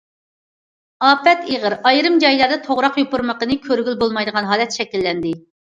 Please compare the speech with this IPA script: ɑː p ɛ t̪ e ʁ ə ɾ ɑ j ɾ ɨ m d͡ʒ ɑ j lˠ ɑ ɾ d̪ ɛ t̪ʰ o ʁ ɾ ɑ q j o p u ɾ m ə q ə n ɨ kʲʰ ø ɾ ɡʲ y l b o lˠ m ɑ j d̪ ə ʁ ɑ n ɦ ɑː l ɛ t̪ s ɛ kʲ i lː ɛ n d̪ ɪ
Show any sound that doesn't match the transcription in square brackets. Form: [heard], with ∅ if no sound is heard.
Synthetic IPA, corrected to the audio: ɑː p ɛ t̪ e ʁ ə ɾ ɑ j ɾ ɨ m d͡ʒ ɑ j lˠ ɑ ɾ d̪ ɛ t̪ʰ o ʁ ɾ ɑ q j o p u ɾ m ə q ə n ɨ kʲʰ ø ɾ ɡʲ y l b o lˠ m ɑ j d̪ ə ʁ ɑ n ɦ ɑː l ɛ t̪ [ʃ] ɛ kʲ i lː ɛ n d̪ ɪ

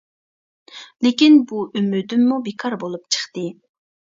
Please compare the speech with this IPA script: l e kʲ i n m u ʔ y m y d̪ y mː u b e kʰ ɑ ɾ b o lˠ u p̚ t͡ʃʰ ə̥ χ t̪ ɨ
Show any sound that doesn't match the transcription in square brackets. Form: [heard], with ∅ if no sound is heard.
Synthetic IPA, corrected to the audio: l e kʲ i n [b] u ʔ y m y d̪ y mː u b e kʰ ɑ ɾ b o lˠ u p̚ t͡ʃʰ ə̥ χ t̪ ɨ

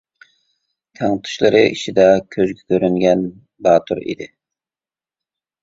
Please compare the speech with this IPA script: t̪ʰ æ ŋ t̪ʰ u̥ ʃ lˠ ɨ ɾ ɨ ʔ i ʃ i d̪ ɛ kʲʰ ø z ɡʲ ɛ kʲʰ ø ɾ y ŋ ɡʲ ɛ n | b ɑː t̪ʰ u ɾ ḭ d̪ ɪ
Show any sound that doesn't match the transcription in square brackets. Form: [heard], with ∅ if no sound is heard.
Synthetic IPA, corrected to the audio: t̪ʰ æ ŋ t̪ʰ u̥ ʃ lˠ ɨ ɾ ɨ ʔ i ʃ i d̪ ɛ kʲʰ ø z ɡʲ ɛ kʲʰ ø ɾ y ŋ ɡʲ ɛ n | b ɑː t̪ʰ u ɾ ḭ d̪ ɪ

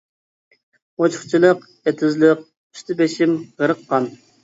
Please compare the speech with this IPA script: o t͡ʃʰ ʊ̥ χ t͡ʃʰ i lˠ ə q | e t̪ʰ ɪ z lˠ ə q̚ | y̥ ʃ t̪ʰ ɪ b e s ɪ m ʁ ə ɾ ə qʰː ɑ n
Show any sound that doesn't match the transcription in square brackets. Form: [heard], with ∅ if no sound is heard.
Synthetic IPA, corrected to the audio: o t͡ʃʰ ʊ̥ χ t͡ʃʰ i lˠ ə q | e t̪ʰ ɪ z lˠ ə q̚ | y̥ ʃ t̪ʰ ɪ b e [ʃ] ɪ m ʁ ə ɾ ə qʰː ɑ n

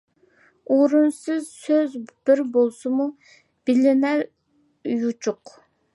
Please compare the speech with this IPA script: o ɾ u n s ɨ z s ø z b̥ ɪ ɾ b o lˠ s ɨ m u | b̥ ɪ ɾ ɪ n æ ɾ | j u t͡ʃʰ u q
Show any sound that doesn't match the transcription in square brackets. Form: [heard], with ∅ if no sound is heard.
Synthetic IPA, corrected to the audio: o ɾ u n s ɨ z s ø z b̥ ɪ ɾ b o lˠ s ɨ m u | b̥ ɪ [l] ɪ n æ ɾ | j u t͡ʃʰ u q

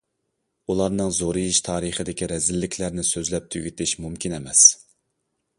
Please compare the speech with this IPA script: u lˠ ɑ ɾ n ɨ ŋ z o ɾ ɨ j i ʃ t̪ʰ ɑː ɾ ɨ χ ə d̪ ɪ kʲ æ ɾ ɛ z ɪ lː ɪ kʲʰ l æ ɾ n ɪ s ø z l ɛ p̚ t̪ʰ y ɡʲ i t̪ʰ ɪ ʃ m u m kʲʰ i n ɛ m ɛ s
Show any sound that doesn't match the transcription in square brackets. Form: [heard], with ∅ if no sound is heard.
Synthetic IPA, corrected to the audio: u lˠ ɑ ɾ n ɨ ŋ z o ɾ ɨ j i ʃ t̪ʰ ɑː ɾ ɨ χ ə d̪ ɪ kʲ [i] ɾ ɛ z ɪ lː ɪ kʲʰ l æ ɾ n ɪ s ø z l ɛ p̚ t̪ʰ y ɡʲ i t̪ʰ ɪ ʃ m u m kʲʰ i n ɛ m ɛ s

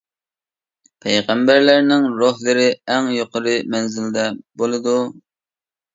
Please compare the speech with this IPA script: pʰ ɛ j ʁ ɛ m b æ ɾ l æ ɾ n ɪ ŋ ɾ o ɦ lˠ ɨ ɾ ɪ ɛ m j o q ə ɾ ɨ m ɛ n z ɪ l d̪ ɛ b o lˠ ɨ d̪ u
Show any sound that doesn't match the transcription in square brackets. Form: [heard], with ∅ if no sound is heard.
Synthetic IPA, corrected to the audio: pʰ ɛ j ʁ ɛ m b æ ɾ l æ ɾ n ɪ ŋ ɾ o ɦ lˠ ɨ ɾ ɪ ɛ [ŋ] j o q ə ɾ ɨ m ɛ n z ɪ l d̪ ɛ b o lˠ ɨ d̪ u

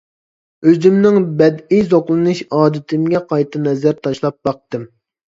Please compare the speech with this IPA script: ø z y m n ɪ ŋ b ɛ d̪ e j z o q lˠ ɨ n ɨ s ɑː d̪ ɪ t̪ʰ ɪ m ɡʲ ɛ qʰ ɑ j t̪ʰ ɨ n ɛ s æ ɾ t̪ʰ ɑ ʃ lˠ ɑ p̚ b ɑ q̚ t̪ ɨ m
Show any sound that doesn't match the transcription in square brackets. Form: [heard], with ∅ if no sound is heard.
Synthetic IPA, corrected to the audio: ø z y m n ɪ ŋ b ɛ d̪ [i] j z o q lˠ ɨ n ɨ [ʃ] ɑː d̪ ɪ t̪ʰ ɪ m ɡʲ ɛ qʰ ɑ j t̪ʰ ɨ n ɛ [z] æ ɾ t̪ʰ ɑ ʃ lˠ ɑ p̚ b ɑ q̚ t̪ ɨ m

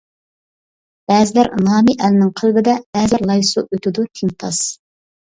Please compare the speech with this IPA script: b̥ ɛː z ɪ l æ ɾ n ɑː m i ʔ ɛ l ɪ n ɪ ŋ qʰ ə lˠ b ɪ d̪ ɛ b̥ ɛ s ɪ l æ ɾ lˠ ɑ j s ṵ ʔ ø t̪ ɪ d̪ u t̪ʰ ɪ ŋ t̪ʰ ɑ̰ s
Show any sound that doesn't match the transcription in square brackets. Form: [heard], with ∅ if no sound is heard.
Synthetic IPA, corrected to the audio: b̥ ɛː z ɪ l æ ɾ n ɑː m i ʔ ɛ l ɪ n ɪ ŋ qʰ ə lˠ b ɪ d̪ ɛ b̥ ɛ [z] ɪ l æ ɾ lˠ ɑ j s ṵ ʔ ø t̪ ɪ d̪ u t̪ʰ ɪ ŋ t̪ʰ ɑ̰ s

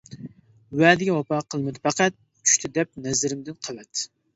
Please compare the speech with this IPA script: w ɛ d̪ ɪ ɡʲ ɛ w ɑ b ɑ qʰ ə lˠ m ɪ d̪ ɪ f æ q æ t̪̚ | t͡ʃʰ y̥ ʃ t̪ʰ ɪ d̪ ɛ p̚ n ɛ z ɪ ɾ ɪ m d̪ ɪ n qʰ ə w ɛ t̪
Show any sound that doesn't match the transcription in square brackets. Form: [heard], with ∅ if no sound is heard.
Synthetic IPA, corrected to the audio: w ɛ d̪ ɪ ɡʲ ɛ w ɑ [p] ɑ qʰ ə lˠ m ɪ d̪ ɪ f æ q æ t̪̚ | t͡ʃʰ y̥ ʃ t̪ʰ ɪ d̪ ɛ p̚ n ɛ z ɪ ɾ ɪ m d̪ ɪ n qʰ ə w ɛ t̪

